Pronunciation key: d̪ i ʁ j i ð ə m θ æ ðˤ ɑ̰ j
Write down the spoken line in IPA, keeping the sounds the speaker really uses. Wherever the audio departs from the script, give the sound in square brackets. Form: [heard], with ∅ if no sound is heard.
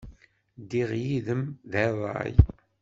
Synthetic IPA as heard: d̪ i ʁ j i ð ə m [ð] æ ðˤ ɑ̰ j